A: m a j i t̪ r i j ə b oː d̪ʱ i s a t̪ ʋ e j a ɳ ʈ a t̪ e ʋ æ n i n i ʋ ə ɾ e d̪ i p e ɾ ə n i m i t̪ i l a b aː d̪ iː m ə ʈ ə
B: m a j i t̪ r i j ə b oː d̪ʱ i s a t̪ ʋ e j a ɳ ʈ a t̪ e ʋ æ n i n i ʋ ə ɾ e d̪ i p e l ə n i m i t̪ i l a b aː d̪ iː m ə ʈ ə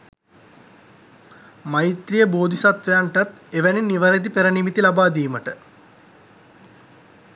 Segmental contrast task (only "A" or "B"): A